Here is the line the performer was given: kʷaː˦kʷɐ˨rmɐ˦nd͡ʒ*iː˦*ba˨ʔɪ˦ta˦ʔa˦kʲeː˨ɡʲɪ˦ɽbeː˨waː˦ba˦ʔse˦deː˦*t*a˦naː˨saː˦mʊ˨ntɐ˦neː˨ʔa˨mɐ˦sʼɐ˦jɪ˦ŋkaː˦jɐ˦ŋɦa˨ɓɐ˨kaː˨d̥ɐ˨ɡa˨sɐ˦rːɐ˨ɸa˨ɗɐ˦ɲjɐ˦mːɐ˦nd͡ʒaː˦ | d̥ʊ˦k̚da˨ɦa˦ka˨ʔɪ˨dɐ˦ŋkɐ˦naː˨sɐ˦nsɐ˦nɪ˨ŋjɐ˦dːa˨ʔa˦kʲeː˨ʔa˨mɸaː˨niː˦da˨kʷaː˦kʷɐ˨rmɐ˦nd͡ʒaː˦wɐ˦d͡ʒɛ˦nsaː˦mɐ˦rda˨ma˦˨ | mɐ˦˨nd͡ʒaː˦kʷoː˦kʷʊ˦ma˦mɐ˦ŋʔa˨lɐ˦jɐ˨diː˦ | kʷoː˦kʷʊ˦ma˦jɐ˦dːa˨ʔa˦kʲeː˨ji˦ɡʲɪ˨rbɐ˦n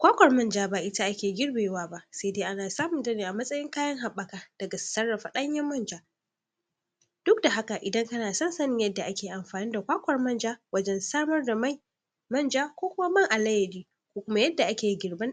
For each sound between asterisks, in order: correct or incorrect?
incorrect: aː˦, incorrect: ʔ

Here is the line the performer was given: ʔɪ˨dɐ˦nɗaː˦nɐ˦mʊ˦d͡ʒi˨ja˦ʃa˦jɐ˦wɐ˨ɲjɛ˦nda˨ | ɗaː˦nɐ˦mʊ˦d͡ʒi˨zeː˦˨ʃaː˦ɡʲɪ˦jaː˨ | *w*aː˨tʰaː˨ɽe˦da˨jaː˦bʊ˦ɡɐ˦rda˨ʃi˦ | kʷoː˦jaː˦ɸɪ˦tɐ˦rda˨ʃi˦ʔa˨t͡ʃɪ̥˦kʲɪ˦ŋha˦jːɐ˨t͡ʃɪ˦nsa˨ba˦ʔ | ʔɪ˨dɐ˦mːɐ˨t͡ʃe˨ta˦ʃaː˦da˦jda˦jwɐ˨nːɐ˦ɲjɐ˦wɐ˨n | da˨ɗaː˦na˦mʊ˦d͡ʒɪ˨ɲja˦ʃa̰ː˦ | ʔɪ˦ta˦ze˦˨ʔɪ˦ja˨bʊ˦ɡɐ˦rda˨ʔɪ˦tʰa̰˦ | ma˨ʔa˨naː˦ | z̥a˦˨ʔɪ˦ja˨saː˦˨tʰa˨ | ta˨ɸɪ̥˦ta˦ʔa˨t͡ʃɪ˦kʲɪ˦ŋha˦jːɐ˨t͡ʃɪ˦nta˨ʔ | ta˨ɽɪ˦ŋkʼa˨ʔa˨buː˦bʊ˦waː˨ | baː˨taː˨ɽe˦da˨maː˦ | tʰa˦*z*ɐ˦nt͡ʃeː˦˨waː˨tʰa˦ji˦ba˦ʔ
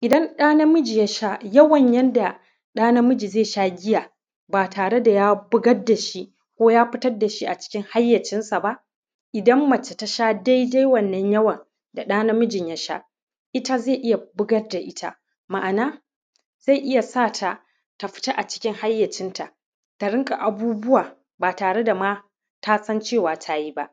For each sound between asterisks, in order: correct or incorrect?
incorrect: b, incorrect: s

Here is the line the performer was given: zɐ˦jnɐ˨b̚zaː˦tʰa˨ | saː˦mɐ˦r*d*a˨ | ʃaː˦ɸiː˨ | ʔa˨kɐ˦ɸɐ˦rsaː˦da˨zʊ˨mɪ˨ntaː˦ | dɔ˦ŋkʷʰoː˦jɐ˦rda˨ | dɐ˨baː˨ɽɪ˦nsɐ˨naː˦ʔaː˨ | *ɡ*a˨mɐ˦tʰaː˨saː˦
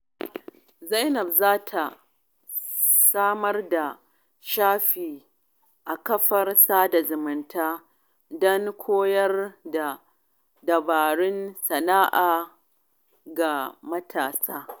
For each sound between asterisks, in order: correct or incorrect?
correct, correct

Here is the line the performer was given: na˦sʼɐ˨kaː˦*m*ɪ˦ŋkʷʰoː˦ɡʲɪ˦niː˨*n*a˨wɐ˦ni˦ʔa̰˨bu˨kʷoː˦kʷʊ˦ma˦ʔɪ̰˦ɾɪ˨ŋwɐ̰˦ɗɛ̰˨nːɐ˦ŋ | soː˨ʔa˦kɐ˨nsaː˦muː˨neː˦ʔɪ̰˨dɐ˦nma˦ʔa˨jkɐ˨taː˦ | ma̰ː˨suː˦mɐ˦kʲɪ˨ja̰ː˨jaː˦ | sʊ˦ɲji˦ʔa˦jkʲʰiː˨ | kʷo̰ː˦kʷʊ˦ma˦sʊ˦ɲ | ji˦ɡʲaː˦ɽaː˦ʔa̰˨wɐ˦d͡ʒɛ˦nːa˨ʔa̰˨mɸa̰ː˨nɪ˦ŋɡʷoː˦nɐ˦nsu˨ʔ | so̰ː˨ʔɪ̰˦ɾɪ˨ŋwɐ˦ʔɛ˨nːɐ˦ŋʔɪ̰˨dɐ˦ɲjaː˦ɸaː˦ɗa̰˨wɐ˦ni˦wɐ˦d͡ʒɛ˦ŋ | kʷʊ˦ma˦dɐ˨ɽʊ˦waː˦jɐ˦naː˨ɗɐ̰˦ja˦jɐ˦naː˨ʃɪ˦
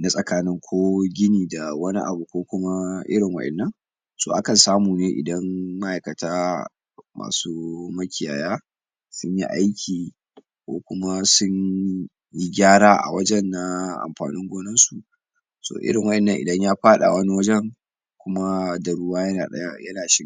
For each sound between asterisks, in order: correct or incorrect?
incorrect: n, incorrect: d

